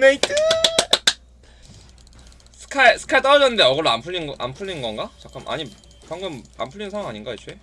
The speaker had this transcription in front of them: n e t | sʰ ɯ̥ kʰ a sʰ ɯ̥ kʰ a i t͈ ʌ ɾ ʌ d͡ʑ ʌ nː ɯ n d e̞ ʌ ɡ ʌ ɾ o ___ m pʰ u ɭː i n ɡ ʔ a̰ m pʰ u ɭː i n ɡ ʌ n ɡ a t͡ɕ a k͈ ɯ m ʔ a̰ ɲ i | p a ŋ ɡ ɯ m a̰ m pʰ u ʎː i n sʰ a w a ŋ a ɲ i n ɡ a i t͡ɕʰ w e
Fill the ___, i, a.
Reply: a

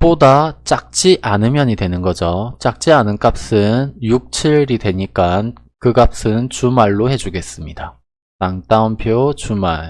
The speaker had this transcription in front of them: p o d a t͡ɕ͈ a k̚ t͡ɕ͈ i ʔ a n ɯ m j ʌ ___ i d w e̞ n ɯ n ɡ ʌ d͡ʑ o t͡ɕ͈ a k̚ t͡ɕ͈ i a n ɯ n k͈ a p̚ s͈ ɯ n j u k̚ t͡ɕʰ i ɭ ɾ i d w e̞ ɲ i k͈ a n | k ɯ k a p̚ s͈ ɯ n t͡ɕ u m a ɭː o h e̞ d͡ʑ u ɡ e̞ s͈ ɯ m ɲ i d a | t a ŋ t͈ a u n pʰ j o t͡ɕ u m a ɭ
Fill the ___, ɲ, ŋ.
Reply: ɲ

